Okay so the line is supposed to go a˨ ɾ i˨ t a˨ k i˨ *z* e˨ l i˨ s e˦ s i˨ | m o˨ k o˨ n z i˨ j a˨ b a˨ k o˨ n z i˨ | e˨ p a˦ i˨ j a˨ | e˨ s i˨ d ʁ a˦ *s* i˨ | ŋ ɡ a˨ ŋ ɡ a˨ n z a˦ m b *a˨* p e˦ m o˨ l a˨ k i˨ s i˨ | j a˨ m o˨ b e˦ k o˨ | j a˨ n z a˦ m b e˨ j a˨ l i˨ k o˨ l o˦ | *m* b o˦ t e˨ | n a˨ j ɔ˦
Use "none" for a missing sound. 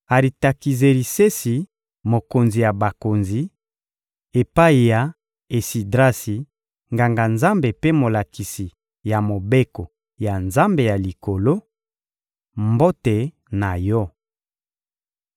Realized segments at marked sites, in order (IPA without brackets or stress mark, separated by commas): z, s, e˨, m